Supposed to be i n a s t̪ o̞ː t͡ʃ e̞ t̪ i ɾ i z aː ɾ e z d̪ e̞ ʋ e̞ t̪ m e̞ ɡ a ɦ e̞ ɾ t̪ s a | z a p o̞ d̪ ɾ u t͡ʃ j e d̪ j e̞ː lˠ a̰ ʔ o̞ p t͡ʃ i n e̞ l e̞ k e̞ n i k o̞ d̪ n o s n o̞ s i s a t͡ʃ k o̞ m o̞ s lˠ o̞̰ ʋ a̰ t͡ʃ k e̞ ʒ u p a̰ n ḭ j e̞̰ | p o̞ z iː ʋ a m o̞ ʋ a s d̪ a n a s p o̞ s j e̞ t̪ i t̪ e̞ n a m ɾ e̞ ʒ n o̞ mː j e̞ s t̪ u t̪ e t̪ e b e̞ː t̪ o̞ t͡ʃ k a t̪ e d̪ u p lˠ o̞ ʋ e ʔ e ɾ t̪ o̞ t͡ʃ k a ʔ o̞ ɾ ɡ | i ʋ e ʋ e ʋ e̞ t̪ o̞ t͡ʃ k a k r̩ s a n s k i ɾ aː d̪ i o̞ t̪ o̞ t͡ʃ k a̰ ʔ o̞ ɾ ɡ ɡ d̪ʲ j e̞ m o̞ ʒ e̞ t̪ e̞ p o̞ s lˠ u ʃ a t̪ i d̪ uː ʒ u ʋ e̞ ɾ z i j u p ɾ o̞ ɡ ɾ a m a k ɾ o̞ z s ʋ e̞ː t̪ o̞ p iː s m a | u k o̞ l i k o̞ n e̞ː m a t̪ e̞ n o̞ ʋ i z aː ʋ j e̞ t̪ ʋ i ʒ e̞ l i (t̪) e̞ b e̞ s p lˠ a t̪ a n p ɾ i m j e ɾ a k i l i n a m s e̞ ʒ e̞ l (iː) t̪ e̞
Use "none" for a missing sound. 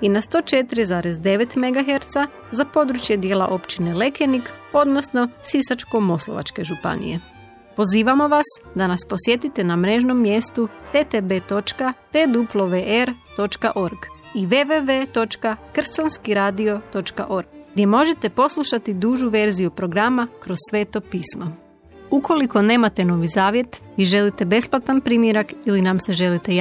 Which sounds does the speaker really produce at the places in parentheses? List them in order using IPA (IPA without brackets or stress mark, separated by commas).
t̪, i